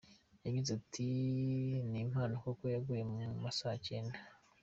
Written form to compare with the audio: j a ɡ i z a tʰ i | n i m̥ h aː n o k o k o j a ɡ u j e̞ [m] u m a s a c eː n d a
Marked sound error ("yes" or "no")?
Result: no